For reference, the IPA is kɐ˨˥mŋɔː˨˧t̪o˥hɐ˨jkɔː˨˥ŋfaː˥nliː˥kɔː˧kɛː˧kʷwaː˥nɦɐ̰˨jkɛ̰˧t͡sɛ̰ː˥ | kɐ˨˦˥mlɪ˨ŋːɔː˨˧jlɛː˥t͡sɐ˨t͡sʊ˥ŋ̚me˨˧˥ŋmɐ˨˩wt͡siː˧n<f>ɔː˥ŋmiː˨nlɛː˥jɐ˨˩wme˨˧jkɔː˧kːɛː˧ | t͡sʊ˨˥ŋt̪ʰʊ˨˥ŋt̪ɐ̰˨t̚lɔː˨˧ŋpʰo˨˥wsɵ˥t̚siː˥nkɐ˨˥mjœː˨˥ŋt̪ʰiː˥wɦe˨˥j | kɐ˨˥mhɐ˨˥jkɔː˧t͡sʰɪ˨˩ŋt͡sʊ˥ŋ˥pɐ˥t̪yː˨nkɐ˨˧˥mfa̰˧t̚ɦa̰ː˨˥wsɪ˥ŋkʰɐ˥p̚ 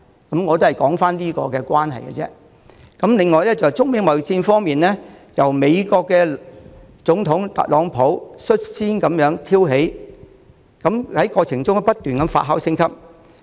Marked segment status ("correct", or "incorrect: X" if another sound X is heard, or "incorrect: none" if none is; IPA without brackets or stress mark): correct